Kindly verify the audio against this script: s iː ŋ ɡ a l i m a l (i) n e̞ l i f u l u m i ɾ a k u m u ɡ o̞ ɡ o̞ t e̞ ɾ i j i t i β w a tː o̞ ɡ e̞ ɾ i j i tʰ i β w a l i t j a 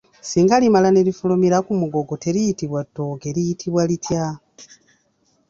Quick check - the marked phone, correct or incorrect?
incorrect: a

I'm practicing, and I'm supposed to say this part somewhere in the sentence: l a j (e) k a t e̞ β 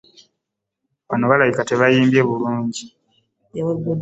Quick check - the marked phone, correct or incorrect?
incorrect: i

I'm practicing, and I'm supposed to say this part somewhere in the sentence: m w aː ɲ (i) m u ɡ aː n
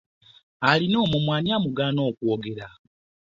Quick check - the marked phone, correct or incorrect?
incorrect: a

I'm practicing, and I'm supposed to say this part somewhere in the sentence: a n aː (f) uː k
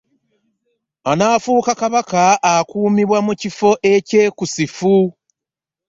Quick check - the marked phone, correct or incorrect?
correct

